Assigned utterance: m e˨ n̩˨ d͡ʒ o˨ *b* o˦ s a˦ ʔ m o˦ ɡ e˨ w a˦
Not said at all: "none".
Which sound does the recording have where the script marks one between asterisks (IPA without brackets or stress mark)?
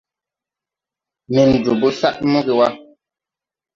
b